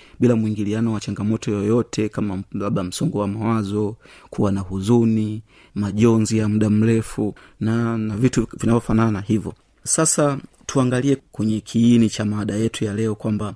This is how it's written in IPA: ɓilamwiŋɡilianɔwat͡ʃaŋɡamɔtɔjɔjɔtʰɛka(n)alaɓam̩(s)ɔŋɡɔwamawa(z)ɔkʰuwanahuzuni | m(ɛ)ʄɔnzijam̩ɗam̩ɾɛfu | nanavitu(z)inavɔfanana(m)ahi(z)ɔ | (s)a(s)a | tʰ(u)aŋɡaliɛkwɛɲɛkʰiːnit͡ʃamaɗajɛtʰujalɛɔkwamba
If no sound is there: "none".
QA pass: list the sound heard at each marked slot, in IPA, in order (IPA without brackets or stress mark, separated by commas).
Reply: m, s, z, a, v, n, v, s, s, u